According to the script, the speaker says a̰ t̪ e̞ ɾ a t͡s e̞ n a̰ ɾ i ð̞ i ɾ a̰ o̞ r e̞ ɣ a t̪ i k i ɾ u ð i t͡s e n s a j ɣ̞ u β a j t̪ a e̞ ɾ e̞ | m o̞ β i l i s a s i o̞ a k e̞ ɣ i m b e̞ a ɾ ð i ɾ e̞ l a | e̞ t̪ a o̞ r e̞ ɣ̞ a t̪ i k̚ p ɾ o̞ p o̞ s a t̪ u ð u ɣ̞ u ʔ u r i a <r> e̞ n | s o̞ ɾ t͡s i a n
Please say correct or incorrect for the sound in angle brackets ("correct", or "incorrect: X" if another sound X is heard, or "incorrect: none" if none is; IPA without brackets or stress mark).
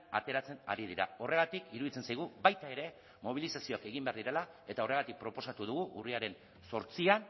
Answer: incorrect: ɾ